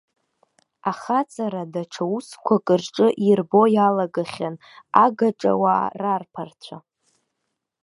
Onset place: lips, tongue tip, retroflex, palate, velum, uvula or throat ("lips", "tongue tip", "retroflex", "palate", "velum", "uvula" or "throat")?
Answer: uvula